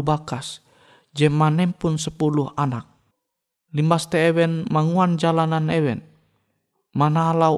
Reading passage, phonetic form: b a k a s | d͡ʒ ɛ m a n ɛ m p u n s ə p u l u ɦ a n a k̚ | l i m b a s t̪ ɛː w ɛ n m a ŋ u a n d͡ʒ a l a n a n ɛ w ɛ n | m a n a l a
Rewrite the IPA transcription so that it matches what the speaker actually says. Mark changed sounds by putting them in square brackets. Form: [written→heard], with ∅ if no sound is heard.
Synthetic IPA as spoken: b a k a s | d͡ʒ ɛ m a n ɛ m p u n s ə p u l u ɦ a n a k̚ | l i m b a s t̪ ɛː w ɛ n m a ŋ u a n d͡ʒ a l a n a n ɛ w ɛ n | m a n a l a